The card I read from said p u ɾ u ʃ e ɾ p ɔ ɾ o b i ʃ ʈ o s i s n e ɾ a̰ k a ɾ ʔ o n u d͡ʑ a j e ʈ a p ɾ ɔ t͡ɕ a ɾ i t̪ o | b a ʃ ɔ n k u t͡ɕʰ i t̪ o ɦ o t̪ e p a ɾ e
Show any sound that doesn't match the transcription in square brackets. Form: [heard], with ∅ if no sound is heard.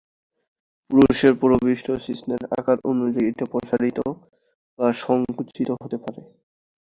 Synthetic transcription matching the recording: p u ɾ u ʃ e ɾ p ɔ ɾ o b i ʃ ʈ o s i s n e ɾ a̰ k a ɾ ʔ o n u d͡ʑ a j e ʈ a p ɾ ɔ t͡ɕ a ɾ i t̪ o | b a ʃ ɔ [ŋ] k u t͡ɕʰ i t̪ o ɦ o t̪ e p a ɾ e